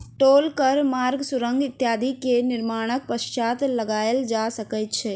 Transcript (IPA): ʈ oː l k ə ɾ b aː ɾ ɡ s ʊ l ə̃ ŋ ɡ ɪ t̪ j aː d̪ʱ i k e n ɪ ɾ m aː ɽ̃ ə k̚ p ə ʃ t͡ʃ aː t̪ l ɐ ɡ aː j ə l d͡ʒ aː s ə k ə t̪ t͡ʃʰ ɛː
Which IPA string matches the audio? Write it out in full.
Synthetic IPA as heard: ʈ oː l k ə ɾ m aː ɾ ɡ s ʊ ɾ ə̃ ŋ ɡ ɪ t̪ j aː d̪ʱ i k e n ɪ ɾ m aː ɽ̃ ə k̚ p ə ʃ t͡ʃ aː t̪ l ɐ ɡ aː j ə l d͡ʒ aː s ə k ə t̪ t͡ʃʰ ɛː